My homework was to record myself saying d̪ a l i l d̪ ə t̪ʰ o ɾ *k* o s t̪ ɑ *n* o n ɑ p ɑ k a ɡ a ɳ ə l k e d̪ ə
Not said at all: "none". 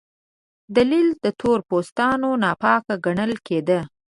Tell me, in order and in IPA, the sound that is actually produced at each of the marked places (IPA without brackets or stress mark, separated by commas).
p, n